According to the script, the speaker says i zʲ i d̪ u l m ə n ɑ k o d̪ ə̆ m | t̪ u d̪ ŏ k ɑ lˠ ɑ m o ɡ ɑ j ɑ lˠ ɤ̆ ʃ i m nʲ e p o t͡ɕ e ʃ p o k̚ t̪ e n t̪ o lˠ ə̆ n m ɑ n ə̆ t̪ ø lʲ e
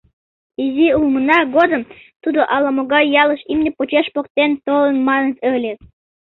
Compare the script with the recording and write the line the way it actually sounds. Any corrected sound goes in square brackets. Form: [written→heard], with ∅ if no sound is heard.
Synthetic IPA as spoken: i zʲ i [d̪→∅] u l m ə n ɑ [k→ɡ] o d̪ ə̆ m | t̪ u d̪ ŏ [k→ʔ] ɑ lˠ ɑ m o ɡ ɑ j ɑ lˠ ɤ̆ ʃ i m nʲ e p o t͡ɕ e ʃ p o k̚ t̪ e n t̪ o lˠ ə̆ n m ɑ n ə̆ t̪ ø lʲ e